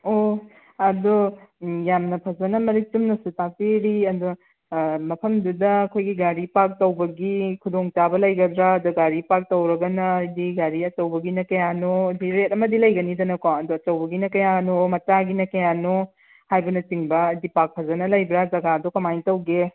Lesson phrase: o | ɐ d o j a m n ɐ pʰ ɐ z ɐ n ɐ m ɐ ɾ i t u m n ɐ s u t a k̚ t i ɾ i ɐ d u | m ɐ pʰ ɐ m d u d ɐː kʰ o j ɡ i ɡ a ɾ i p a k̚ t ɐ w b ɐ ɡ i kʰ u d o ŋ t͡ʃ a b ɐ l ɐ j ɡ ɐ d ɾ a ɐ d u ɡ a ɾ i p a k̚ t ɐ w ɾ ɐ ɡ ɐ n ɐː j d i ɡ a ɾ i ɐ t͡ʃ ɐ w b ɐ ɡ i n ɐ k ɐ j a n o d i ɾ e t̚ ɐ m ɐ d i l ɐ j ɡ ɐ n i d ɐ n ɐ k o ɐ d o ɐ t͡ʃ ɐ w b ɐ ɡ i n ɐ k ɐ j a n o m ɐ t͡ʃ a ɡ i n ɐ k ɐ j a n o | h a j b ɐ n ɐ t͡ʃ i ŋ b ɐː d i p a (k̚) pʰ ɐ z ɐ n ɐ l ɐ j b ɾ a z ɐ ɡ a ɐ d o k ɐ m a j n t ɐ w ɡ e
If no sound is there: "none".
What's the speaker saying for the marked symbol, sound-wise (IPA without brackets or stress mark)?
k̚